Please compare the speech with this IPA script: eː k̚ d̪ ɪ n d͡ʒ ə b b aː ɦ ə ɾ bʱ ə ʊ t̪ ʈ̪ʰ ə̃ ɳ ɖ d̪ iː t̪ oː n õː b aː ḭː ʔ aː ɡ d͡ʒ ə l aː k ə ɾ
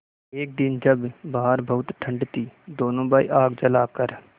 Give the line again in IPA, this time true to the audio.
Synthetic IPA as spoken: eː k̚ d̪ ɪ n d͡ʒ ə b b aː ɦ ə ɾ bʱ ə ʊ t̪ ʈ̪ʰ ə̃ ɳ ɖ t̪ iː d̪ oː n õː b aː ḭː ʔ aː ɡ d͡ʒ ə l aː k ə ɾ